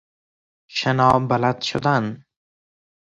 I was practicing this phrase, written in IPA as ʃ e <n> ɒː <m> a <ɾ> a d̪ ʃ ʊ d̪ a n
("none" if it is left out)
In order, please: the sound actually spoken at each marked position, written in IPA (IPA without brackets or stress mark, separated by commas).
n, b, l